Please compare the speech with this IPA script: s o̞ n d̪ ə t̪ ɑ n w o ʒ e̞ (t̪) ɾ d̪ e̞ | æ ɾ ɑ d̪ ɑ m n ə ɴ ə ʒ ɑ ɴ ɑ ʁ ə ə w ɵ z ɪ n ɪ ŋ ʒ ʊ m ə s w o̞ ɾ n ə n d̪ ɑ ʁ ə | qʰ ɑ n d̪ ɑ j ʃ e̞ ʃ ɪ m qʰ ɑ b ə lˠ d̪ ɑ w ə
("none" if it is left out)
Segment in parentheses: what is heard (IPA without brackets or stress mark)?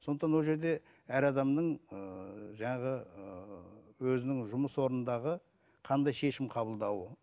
none